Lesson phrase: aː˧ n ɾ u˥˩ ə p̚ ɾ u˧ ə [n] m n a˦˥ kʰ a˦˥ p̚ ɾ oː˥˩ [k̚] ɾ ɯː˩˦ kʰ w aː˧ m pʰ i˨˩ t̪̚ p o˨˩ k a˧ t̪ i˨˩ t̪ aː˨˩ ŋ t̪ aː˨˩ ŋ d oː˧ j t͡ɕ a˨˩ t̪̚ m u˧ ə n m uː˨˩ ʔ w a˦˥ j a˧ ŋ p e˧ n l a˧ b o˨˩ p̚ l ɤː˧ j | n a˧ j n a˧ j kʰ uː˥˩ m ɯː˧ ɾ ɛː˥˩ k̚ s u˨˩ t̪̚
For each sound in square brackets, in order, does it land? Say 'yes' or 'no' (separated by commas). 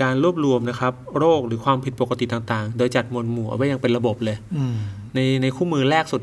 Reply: no, yes